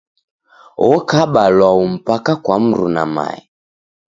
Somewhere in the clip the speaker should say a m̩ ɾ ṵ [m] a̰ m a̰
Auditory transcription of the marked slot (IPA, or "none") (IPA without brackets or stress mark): n